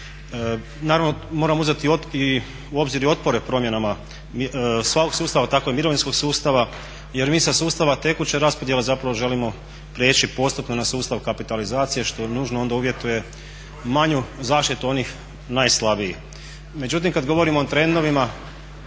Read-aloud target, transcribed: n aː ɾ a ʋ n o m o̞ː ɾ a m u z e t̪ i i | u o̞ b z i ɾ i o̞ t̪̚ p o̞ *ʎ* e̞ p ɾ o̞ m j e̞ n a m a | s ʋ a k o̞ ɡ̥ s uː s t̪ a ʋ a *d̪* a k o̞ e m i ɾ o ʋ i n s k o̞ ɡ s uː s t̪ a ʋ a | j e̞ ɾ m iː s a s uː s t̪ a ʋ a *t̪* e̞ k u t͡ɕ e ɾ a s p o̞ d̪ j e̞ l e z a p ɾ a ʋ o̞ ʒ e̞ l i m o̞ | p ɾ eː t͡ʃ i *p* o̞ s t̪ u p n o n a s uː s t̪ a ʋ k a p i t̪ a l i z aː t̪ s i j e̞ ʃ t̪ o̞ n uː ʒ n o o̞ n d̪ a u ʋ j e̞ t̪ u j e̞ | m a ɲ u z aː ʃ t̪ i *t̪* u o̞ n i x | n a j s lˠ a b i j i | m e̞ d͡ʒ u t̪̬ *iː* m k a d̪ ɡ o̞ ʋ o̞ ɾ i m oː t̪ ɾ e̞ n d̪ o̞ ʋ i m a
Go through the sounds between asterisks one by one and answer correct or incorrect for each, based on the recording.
incorrect, incorrect, correct, correct, correct, incorrect

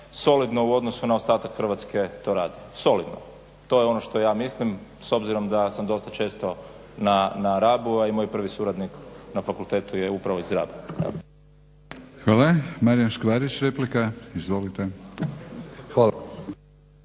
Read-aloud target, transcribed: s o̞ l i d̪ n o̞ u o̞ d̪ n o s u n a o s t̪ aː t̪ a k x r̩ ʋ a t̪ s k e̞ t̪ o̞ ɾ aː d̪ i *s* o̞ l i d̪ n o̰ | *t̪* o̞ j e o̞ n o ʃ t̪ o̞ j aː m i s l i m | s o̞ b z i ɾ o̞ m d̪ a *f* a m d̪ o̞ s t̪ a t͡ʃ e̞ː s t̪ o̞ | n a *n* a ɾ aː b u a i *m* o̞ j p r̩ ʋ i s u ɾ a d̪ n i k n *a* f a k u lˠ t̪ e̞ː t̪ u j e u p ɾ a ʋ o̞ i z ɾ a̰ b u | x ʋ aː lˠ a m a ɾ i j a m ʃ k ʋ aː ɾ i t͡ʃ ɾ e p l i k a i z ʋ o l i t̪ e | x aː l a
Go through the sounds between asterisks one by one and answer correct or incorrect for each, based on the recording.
correct, correct, incorrect, correct, correct, correct

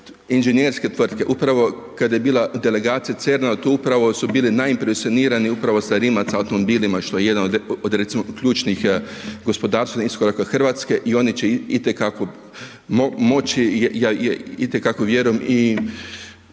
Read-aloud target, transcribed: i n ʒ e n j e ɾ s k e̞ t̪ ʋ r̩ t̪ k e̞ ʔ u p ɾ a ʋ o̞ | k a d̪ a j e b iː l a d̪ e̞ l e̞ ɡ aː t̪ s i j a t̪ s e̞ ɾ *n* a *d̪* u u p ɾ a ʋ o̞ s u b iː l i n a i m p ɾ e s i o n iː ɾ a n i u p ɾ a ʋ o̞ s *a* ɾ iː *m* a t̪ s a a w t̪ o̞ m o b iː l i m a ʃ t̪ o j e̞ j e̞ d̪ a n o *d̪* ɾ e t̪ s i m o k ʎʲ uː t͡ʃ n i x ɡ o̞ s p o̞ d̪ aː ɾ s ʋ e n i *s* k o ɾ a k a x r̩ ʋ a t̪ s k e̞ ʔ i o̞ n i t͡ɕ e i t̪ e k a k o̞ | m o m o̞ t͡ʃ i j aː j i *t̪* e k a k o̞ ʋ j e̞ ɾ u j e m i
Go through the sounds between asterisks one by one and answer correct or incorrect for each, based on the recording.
correct, incorrect, correct, correct, correct, correct, correct

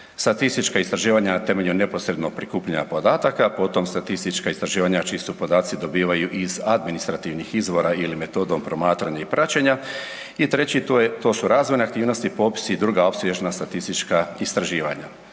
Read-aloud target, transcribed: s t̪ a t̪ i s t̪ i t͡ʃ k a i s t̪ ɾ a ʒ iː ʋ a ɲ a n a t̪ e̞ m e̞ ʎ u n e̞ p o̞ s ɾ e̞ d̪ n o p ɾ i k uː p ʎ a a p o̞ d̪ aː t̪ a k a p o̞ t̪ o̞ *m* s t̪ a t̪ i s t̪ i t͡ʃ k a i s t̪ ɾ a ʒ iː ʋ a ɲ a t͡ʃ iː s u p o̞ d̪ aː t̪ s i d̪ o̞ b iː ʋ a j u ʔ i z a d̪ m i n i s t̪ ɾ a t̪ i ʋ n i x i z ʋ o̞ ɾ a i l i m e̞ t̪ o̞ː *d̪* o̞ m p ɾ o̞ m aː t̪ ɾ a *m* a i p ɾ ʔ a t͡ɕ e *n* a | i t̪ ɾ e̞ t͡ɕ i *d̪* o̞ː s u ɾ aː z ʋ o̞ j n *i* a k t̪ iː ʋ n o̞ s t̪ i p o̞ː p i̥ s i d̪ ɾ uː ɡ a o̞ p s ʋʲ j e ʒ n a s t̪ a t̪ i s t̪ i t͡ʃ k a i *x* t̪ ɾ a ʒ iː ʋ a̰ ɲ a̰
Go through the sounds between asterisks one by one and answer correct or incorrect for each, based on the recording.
correct, correct, incorrect, incorrect, incorrect, incorrect, incorrect

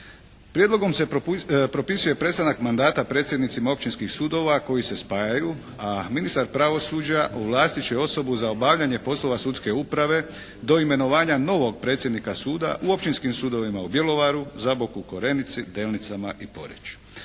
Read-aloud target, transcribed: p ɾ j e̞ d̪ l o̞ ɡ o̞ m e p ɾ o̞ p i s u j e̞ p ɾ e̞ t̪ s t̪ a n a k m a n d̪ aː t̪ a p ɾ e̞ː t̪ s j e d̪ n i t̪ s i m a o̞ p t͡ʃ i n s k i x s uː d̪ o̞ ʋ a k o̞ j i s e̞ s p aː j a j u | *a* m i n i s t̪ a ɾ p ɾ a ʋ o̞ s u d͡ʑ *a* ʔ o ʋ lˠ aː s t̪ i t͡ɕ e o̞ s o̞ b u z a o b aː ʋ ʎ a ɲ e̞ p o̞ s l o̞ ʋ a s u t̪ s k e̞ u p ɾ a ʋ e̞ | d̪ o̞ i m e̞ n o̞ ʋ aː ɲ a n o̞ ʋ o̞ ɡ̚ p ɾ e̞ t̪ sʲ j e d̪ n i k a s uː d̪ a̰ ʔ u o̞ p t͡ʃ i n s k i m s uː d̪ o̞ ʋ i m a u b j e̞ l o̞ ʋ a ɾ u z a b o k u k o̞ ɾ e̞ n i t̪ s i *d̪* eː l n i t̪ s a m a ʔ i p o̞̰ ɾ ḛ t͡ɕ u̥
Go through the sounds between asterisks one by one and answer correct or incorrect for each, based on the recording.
correct, correct, correct

